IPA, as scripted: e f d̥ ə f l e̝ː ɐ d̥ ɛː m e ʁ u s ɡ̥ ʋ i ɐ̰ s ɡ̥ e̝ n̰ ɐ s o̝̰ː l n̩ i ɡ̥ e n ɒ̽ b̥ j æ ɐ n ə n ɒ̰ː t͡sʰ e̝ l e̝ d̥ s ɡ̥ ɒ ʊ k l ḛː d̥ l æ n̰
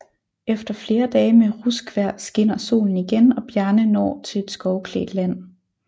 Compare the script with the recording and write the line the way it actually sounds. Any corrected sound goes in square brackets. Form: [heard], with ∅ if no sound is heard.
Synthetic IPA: e f d̥ [ɐ] f l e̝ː ɐ d̥ ɛː m e ʁ u s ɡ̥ ʋ [æ] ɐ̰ s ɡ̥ e̝ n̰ ɐ s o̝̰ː l n̩ i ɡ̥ e n ɒ̽ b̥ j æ ɐ n ə n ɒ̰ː t͡sʰ e̝ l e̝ d̥ s ɡ̥ ɒ ʊ [kʰ] l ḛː d̥ l æ n̰